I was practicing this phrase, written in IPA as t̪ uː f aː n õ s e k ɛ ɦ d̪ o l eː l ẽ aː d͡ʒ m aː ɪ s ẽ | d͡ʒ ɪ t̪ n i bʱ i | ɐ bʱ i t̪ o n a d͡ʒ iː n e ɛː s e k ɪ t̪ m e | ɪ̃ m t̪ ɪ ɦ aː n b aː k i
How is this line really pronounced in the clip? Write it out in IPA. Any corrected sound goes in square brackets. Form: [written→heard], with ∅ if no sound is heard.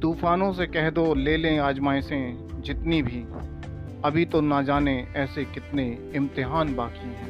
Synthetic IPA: t̪ uː f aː n õ s e k ɛ ɦ d̪ o l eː l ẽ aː d͡ʒ m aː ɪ s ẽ | d͡ʒ ɪ t̪ n i bʱ i | ɐ bʱ i t̪ o n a d͡ʒ [iː→aː] n e ɛː s e k ɪ t̪ [m→n] e | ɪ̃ m t̪ ɪ ɦ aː n b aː k i